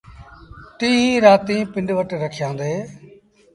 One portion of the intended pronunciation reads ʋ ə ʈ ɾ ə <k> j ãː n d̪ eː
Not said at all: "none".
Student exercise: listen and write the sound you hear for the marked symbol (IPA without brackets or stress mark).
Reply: kʰ